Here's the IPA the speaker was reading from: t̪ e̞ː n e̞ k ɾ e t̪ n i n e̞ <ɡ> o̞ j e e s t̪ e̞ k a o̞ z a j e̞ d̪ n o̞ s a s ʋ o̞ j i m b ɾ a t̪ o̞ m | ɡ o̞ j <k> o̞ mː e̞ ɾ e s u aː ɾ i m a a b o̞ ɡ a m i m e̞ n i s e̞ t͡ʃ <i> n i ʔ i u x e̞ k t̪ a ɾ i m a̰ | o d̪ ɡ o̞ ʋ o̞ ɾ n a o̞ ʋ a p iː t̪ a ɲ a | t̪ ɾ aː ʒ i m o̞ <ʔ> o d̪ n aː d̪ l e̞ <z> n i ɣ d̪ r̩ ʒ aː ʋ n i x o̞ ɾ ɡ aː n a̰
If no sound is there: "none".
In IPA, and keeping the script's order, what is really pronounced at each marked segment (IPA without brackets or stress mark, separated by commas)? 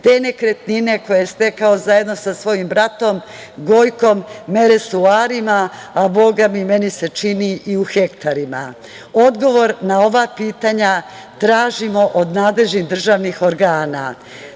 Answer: k, k, i, ʔ, ʒ